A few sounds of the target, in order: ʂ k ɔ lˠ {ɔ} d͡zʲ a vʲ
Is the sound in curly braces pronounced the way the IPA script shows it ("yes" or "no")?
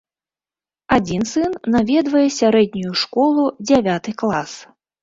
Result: no